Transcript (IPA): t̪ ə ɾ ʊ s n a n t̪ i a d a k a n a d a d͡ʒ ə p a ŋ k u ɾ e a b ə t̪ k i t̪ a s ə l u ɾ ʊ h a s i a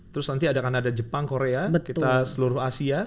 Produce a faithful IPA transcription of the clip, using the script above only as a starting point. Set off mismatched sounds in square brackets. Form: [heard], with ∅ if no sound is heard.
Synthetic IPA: t̪ ə ɾ ʊ s n a n t̪ i a d a k a n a d a d͡ʒ ə p a ŋ k [o] ɾ e a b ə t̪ k i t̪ a s ə l u ɾ ʊ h a s i a